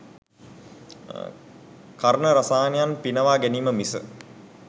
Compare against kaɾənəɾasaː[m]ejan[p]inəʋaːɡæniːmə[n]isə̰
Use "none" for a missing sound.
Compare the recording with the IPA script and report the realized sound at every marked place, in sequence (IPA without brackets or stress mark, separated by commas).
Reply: n, p, m